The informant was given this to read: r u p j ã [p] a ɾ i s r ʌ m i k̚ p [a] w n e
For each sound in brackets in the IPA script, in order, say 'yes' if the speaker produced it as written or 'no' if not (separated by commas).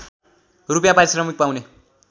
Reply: yes, yes